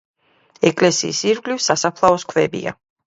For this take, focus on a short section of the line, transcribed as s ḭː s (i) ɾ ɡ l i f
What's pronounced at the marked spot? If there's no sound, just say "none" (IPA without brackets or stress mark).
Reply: i